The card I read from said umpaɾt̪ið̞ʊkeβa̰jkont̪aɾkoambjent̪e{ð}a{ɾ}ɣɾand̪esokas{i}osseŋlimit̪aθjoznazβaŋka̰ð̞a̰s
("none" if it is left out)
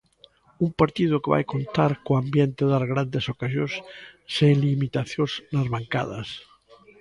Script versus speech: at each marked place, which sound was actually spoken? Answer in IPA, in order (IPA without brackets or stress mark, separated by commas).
ð, ɾ, j